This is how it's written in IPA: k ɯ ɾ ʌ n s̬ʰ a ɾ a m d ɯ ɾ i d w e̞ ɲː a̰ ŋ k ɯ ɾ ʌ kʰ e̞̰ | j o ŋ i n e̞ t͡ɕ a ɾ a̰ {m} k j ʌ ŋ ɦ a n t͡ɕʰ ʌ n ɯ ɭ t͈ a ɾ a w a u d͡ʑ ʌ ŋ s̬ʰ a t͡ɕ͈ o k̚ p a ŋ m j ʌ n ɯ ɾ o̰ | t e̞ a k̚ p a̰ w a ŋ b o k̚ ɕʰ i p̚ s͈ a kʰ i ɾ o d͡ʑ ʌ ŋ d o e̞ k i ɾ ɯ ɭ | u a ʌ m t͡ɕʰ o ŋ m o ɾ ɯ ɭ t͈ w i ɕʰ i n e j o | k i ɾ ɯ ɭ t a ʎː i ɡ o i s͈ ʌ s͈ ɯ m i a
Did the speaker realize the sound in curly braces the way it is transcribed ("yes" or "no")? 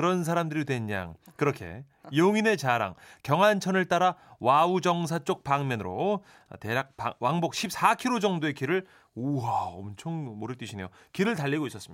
no